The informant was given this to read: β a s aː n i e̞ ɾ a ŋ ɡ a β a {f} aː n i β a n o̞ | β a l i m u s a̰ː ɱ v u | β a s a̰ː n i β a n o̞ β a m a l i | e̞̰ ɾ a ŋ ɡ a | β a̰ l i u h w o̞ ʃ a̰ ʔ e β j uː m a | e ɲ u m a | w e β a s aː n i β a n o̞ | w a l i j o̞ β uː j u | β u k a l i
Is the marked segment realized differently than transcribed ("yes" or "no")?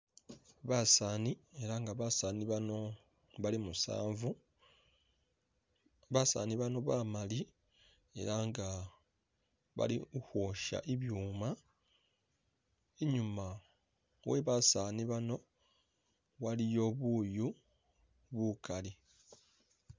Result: yes